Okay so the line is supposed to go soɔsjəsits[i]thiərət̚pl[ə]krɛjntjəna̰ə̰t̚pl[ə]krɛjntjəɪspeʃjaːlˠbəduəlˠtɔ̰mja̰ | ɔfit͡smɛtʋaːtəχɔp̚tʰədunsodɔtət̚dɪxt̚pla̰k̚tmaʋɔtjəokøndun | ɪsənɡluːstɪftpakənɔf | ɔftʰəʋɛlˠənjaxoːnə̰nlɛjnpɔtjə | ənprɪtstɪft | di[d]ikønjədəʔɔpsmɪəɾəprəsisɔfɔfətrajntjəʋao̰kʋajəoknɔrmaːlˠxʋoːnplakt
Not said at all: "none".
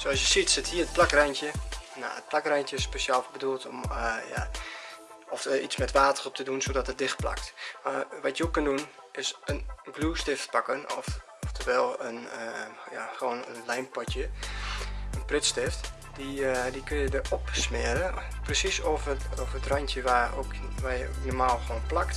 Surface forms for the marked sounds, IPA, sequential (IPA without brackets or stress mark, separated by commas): ɪ, a, a, d